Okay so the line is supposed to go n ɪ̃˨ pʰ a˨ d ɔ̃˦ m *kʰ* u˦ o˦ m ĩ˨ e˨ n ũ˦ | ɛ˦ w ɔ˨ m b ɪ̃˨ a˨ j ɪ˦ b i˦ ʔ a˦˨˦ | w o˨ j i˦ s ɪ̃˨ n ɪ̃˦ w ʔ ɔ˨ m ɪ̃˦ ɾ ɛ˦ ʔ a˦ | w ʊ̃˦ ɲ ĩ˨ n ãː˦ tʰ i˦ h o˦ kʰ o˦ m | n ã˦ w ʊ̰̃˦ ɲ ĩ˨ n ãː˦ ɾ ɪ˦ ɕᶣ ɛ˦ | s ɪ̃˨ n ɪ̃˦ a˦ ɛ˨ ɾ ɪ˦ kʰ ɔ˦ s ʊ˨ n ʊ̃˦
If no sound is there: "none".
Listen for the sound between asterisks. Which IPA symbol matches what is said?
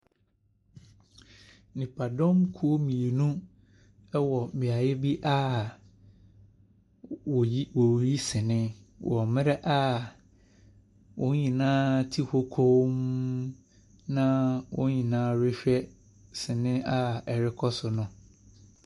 kʰ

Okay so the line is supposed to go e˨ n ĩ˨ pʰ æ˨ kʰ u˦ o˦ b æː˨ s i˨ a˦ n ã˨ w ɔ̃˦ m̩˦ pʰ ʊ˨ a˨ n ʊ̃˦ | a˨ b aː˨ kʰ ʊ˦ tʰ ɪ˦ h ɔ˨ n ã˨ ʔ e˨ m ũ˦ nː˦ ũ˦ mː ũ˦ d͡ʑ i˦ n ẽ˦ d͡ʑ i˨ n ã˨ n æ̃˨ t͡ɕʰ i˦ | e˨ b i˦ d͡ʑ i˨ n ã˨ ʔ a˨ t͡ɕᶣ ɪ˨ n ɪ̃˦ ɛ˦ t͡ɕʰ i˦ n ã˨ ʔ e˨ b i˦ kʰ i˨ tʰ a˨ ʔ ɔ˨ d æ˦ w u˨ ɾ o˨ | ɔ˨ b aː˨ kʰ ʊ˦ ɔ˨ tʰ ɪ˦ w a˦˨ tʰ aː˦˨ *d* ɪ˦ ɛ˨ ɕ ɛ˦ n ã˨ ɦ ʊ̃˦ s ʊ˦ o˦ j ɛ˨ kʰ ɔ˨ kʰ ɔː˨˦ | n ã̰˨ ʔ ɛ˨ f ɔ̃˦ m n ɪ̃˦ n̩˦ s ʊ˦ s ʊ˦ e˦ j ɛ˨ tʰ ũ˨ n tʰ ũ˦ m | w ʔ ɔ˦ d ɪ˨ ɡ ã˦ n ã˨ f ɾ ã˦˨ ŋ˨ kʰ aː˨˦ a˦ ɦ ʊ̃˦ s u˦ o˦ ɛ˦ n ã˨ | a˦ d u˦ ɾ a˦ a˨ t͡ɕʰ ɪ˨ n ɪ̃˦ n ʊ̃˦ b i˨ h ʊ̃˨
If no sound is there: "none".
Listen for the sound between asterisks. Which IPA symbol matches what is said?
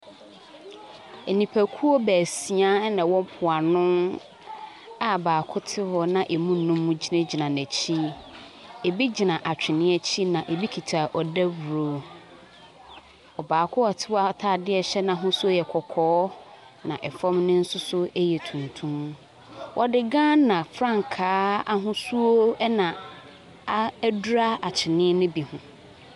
d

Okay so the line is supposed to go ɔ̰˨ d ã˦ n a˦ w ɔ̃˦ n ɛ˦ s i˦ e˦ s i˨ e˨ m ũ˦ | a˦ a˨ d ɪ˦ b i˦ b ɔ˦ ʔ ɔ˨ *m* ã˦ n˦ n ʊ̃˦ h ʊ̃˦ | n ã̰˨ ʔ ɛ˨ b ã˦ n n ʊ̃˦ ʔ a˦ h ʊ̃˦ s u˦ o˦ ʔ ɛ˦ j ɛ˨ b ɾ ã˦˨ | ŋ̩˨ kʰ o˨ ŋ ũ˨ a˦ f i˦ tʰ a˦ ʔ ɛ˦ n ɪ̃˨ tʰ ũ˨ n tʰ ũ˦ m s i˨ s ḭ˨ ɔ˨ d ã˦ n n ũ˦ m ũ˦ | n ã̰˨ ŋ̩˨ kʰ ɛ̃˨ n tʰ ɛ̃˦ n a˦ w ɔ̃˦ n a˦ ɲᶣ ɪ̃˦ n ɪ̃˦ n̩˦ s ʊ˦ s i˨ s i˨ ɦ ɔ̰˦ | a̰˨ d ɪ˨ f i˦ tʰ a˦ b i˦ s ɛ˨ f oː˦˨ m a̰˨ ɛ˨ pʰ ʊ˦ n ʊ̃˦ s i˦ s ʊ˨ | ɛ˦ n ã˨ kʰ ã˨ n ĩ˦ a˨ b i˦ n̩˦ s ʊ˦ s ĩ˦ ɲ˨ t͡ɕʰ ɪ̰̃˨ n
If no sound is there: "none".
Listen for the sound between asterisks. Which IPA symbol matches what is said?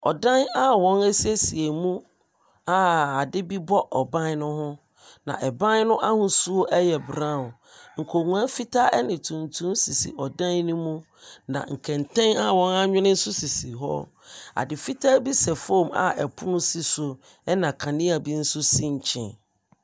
b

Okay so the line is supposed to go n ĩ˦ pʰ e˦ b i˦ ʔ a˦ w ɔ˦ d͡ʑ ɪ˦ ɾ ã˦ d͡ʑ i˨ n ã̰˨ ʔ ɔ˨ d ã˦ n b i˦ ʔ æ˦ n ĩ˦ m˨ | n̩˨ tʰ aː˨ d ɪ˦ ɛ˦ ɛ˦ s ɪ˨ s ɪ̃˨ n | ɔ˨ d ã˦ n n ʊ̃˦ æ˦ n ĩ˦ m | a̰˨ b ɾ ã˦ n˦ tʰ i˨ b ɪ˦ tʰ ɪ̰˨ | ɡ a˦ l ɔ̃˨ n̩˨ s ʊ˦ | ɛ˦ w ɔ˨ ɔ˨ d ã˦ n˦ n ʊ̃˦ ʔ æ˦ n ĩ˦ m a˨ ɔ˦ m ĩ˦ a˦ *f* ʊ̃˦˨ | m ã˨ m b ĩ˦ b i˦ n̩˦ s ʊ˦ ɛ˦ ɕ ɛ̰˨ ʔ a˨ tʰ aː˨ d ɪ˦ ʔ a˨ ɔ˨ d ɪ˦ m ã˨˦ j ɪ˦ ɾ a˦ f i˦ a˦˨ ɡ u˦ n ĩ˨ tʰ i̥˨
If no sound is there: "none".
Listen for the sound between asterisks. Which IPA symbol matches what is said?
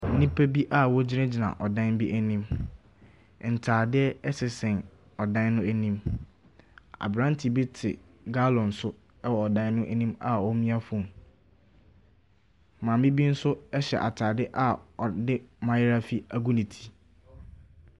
f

